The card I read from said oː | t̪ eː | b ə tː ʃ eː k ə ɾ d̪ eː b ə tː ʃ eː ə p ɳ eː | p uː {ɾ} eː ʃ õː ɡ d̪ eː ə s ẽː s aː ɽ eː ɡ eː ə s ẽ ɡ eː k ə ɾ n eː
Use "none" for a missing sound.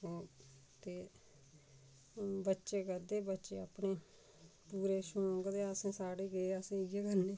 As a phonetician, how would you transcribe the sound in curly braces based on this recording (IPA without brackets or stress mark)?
ɾ